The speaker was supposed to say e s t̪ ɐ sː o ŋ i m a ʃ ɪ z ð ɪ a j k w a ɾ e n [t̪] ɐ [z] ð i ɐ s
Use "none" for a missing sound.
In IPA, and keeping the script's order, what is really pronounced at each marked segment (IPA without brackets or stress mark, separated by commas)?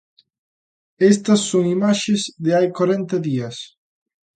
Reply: t̪, none